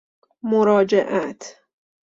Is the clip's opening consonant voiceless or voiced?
voiced